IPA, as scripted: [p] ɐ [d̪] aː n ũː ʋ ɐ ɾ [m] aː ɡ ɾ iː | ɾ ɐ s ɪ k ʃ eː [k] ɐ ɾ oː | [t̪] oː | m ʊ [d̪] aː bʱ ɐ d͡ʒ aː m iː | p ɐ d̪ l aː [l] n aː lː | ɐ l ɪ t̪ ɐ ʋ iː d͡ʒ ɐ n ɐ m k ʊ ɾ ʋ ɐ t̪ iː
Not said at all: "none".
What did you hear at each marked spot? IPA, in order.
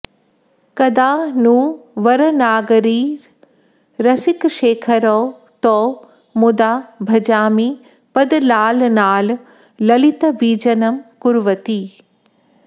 k, d̪, n, kʰ, t̪, d̪, l

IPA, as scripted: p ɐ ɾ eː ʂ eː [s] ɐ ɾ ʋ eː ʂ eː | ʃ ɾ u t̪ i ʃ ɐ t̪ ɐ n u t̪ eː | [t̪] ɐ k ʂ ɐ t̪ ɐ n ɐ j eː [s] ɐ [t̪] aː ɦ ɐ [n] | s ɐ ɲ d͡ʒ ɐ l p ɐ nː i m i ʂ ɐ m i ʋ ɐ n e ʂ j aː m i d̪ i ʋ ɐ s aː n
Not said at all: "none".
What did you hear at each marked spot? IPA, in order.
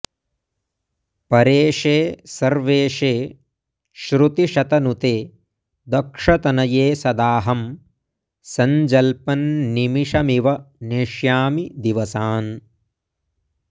s, d̪, s, d̪, m

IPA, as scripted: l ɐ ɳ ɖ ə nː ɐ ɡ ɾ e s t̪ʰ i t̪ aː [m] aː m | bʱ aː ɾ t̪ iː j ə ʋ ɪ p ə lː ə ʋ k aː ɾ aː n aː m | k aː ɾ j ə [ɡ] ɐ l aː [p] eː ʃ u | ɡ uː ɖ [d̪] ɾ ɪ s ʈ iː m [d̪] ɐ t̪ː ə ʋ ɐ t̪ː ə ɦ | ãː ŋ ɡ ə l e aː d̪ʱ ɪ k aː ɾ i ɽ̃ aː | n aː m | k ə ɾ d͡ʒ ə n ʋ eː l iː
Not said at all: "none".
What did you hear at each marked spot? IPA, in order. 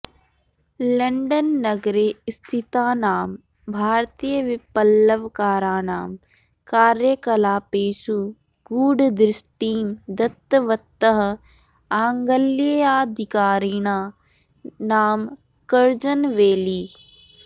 n, k, p, d̪, d̪

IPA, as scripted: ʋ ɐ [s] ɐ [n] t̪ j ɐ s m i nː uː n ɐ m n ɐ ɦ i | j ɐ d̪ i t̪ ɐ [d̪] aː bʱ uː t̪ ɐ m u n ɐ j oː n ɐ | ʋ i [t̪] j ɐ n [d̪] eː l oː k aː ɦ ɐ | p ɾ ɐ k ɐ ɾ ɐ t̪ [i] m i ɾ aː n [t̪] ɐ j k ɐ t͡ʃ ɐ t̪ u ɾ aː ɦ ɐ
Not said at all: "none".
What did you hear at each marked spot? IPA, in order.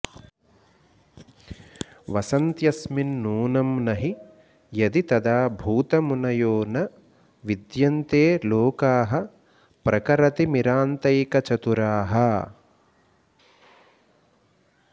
s, n, d̪, d̪, t̪, i, t̪

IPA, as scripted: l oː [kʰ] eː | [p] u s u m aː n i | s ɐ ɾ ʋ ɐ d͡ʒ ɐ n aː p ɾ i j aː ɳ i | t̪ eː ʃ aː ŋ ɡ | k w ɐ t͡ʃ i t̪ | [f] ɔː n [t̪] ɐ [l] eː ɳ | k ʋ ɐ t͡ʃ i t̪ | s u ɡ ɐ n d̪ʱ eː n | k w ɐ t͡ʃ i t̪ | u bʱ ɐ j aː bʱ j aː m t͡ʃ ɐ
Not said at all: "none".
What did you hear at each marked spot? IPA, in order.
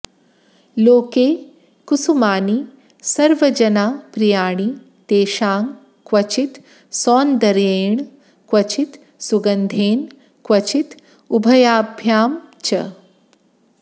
k, k, s, d̪, ɾ

